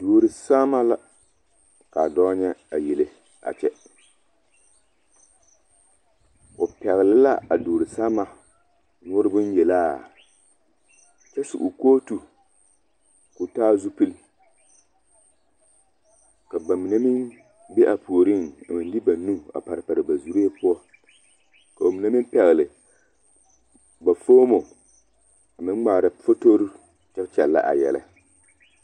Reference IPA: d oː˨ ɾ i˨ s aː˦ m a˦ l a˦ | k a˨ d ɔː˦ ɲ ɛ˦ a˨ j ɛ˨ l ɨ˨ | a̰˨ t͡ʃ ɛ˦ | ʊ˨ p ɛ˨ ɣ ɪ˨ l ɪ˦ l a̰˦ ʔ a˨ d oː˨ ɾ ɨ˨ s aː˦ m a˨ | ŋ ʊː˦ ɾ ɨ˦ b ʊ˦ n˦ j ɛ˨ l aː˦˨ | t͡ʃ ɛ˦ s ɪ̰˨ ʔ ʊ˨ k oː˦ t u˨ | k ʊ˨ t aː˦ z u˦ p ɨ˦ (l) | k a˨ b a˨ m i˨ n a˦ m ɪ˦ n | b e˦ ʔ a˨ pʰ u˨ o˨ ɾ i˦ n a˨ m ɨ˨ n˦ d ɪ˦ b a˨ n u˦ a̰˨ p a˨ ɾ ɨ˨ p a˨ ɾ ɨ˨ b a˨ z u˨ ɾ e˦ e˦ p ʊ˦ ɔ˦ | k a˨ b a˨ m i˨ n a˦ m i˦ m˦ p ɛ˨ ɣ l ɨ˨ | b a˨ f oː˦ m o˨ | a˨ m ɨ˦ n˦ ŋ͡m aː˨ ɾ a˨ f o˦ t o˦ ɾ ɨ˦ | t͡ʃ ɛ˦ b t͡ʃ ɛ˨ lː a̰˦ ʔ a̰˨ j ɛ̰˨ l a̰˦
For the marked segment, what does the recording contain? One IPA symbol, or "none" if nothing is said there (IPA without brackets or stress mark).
l